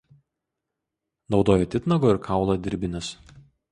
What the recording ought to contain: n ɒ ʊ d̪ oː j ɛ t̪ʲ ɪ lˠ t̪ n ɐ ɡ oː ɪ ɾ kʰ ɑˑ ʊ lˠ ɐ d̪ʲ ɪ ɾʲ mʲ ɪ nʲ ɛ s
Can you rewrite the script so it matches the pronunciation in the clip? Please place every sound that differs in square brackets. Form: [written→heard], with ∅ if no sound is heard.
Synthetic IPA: n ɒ ʊ d̪ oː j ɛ t̪ʲ ɪ [lˠ→∅] t̪ n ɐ ɡ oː ɪ ɾ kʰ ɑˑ ʊ lˠ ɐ d̪ʲ ɪ ɾʲ [mʲ→bʲ] ɪ nʲ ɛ s